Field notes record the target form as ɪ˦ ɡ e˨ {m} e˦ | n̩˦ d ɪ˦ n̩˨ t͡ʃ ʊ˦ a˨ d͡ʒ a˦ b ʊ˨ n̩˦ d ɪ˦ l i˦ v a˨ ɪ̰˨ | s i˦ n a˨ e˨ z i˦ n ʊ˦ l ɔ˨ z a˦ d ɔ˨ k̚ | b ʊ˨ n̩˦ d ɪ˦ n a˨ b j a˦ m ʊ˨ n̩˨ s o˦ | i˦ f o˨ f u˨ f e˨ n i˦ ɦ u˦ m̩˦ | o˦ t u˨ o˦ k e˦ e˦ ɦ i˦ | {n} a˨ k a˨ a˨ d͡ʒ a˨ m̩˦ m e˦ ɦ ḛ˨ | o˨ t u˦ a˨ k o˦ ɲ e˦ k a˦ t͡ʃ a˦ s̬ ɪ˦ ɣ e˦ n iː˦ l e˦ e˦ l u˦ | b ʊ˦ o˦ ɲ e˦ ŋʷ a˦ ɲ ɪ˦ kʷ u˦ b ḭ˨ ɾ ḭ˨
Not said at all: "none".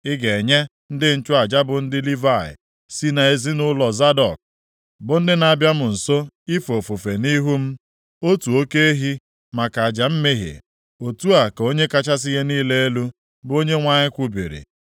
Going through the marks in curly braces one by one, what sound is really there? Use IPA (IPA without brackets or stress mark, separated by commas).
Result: ɲ, m